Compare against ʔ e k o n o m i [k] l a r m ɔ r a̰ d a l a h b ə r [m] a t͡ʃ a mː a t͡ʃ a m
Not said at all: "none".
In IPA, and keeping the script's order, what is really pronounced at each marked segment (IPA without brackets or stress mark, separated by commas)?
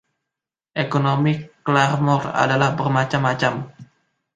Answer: k, m